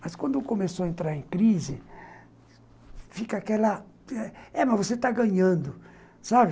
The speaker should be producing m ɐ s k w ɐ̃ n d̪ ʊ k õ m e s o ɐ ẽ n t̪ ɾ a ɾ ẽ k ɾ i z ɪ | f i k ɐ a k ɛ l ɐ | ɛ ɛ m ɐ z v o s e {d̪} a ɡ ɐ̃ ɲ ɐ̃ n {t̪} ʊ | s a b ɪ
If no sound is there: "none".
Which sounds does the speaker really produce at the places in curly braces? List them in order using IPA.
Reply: t̪, d̪

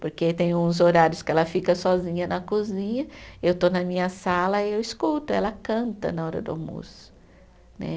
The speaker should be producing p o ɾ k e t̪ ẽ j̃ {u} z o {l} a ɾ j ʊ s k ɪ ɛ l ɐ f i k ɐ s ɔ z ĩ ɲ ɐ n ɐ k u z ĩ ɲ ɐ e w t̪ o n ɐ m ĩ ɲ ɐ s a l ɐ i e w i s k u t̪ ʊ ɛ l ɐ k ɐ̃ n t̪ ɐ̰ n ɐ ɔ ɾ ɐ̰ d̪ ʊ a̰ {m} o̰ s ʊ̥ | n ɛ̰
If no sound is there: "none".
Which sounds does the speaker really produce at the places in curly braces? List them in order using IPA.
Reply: ũ, ɾ, m

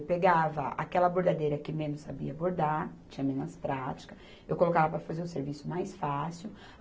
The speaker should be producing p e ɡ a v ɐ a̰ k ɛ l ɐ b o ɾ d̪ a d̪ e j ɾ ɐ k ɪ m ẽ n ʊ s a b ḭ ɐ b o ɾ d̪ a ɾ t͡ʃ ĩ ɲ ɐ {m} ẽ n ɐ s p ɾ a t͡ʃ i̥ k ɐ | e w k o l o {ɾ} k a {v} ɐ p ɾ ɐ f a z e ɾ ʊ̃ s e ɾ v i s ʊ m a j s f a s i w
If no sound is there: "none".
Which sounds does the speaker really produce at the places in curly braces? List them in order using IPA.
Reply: m, none, v

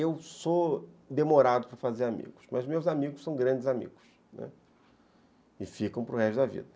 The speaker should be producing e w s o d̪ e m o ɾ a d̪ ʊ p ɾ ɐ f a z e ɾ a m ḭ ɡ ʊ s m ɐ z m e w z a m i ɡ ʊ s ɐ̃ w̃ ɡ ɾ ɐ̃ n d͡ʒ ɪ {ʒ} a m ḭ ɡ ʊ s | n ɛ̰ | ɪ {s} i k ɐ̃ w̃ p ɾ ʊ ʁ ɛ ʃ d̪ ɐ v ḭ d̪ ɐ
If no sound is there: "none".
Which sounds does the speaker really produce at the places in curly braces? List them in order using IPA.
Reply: z, f

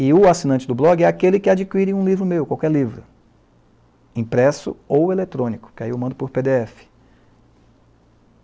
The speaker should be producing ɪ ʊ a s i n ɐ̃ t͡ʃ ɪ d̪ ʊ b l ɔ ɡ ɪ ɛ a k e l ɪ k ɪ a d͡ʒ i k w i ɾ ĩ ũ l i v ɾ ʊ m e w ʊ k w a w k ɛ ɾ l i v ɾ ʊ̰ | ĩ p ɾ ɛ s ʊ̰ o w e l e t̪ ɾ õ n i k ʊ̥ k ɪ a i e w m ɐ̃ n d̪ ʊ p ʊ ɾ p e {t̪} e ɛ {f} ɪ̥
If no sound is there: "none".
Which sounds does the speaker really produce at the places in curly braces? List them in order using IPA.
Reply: d̪, f

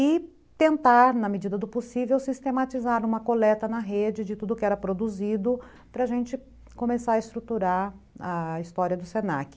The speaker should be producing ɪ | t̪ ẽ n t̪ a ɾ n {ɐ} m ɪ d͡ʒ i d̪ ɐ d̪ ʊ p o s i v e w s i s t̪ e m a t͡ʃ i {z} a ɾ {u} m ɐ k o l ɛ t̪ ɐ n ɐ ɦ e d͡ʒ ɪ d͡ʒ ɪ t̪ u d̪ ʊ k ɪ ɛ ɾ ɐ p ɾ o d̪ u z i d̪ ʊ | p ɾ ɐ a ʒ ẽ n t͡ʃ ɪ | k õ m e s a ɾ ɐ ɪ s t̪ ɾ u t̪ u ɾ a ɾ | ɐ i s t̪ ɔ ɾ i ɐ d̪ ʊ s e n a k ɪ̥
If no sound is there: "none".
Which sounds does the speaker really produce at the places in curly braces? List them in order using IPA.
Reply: ɐ, z, ũ

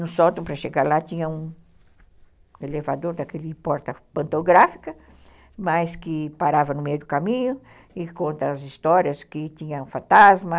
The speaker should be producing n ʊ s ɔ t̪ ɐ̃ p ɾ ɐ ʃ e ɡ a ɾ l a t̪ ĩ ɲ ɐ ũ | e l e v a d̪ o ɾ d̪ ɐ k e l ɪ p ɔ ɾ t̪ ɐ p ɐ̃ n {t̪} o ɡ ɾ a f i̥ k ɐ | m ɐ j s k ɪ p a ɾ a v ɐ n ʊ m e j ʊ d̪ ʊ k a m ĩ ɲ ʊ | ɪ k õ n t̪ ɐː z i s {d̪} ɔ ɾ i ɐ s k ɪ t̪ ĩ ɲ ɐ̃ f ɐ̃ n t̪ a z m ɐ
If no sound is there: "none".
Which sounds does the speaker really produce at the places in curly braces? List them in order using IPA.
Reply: t̪, t̪

